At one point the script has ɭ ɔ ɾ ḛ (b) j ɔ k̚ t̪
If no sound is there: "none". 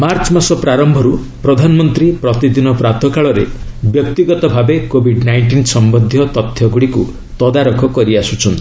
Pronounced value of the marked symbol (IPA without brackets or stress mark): b